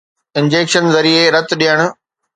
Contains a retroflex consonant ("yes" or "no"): yes